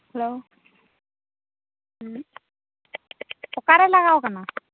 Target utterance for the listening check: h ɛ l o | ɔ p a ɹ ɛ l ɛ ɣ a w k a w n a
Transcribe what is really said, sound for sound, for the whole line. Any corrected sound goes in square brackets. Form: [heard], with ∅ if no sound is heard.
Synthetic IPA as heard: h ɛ l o | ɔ [k] a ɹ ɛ l [a] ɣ a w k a [∅] n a